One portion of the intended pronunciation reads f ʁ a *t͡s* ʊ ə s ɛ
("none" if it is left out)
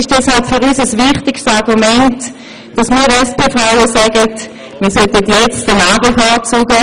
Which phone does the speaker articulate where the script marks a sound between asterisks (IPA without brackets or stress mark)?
none